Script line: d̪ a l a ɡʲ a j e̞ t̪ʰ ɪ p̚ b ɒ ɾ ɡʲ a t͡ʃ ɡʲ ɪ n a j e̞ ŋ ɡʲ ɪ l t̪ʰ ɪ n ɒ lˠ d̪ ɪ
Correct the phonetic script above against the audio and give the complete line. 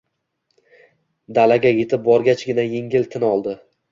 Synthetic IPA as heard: d̪ a l a ɡʲ a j e̞ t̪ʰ ɪ p̚ b ɒ ɾ ɡʲ a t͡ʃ ɡʲ ɪ n a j e̞ ŋ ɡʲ ɪ l t̪ʰ ɪ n ɒ lˠ d̪ ɪ